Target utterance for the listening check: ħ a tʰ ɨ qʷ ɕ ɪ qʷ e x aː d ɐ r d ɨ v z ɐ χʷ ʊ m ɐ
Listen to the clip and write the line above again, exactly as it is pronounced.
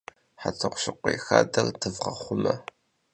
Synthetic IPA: ħ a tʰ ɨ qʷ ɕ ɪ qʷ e x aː d ɐ r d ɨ v ʁ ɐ χʷ ʊ m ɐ